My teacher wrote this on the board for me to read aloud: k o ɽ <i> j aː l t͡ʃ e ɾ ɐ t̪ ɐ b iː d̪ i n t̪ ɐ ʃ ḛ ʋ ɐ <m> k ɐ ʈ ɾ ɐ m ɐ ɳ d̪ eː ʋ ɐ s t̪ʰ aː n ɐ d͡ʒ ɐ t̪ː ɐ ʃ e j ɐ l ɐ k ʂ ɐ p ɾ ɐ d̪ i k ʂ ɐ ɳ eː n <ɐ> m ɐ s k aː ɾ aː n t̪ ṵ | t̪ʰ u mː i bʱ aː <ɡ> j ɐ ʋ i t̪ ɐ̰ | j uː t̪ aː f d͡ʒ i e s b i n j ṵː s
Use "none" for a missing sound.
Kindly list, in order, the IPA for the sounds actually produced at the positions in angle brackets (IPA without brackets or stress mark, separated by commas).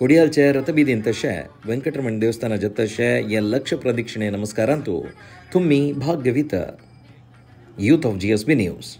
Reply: i, ŋ, ɐ, ɡ